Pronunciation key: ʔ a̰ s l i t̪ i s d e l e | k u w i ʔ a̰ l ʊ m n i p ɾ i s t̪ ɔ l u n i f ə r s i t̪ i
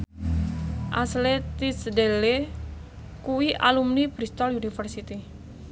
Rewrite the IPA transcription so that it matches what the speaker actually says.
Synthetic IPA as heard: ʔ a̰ s l e t̪ i s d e l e | k u w i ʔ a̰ l u m n i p ɾ i s t̪ ɔ l u n i f ə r s i t̪ i